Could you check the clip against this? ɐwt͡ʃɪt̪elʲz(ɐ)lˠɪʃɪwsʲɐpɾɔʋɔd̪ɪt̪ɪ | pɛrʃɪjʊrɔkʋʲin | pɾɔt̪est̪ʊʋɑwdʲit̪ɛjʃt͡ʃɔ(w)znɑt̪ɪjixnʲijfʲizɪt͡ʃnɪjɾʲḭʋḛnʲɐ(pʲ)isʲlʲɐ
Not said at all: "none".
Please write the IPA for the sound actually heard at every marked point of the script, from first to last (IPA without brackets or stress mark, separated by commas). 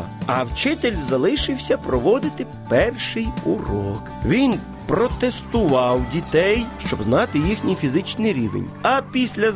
ɐ, b, pʲ